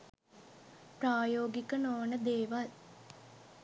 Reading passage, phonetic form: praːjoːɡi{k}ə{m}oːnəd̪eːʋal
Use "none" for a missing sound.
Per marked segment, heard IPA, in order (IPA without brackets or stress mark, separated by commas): k, n